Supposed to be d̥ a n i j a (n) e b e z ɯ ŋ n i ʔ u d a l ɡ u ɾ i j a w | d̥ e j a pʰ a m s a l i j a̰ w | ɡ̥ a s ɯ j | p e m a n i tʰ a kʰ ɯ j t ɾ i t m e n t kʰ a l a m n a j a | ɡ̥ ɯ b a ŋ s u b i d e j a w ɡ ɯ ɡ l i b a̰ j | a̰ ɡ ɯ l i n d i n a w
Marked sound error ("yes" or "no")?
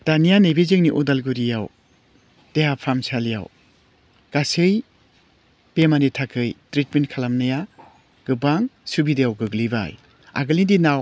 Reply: no